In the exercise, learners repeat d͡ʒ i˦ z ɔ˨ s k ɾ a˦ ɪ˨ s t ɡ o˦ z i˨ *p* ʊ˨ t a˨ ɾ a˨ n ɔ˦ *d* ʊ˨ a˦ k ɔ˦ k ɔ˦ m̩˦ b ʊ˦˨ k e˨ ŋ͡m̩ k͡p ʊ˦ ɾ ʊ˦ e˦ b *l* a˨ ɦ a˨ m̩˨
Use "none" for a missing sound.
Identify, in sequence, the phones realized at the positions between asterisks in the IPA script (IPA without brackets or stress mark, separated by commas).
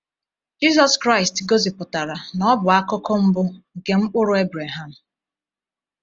p, b, ɾ